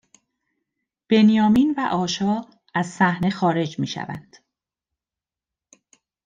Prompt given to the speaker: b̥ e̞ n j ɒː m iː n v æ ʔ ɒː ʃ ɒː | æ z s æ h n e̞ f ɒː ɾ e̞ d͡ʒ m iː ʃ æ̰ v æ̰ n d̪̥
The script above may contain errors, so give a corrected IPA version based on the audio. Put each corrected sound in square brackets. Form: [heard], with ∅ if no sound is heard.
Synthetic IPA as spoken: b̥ e̞ n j ɒː m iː n v æ ʔ ɒː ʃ ɒː | æ z s æ h n e̞ [x] ɒː ɾ e̞ d͡ʒ m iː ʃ æ̰ v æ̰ n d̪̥